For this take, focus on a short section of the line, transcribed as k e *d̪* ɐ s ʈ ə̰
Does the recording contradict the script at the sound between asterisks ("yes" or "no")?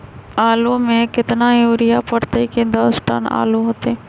no